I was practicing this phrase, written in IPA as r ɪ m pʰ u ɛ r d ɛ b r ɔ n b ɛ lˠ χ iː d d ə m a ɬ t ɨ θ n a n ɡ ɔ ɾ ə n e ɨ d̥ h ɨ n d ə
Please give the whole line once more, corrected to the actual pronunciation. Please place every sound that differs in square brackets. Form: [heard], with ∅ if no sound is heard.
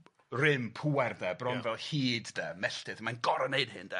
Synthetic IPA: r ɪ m pʰ u ɛ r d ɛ b r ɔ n [v] ɛ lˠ [h] iː d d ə m [ɛ] ɬ t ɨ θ [m] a n ɡ ɔ ɾ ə n e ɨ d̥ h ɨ n d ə